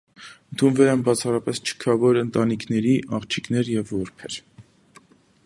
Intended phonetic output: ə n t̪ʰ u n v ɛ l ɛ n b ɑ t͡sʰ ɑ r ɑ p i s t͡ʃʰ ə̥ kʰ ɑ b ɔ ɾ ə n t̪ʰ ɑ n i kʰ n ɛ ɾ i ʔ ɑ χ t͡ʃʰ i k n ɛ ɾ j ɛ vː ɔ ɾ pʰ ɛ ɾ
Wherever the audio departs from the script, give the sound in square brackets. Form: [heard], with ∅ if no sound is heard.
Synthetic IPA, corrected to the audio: ə n t̪ʰ u n v ɛ l ɛ n b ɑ t͡sʰ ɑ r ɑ p [ɛ] s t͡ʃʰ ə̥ kʰ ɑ [v] ɔ ɾ ə n [t̪] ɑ n i kʰ n ɛ ɾ i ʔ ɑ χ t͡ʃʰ i k n ɛ ɾ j ɛ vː ɔ ɾ pʰ ɛ ɾ